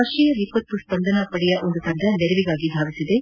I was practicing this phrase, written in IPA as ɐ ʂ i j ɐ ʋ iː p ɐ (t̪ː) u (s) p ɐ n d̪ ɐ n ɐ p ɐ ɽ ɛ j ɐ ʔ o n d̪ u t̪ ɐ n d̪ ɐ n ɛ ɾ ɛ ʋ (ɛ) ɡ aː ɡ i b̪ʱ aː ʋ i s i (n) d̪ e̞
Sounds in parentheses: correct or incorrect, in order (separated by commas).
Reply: correct, correct, incorrect, incorrect